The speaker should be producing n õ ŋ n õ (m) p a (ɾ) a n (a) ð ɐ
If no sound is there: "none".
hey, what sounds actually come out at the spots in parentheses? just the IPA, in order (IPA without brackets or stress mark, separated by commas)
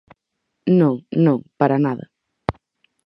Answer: ŋ, ɾ, a